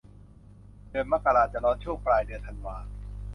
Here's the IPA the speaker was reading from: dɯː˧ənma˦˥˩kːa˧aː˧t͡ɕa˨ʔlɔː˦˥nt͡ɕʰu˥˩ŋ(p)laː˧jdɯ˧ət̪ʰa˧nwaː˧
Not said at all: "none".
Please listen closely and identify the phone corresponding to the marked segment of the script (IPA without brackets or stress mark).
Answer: p